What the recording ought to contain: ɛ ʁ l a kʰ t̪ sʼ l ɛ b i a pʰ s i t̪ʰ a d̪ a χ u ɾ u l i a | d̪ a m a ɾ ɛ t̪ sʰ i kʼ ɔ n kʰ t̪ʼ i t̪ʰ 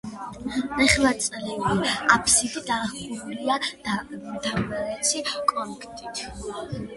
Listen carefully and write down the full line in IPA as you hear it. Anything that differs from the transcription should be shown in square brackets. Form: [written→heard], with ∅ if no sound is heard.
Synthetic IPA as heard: ɛ [ʁ→χ] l a [kʰ→∅] t̪ sʼ l ɛ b i a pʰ s i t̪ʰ [a→i] d̪ a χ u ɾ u l i a | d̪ a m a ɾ ɛ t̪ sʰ i kʼ ɔ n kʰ t̪ʼ i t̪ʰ